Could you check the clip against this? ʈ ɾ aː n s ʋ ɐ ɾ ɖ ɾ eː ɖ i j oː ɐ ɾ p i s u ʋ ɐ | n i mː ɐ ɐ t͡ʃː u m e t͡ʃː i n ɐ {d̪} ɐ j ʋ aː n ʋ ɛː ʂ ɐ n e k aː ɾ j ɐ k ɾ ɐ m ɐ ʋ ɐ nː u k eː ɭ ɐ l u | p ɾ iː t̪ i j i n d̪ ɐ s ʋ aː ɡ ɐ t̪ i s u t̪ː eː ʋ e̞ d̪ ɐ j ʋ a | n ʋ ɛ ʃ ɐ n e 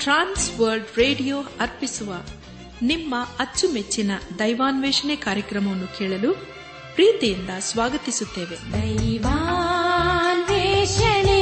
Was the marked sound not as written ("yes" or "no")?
no